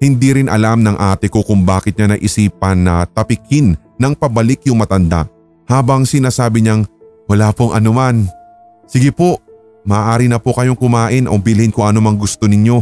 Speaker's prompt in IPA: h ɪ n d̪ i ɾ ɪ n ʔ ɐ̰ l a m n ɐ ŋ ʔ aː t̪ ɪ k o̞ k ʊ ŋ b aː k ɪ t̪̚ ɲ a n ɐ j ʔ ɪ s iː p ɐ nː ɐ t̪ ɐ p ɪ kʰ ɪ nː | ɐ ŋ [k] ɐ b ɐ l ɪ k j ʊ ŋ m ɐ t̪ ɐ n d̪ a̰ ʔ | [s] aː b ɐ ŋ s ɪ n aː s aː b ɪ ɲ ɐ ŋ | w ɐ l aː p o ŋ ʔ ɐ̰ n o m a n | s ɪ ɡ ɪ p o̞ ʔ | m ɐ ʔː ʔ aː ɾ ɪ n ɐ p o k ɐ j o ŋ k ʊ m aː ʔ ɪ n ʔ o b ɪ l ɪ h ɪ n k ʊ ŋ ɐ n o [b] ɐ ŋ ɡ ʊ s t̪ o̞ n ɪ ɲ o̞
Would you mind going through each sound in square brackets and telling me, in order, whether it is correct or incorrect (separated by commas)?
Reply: incorrect, incorrect, incorrect